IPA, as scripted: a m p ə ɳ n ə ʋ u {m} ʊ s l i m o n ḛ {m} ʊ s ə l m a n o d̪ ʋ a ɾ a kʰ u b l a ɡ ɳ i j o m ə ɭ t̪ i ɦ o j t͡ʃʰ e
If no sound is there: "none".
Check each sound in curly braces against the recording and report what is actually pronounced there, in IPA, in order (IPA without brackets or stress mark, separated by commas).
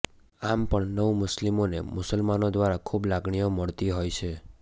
m, m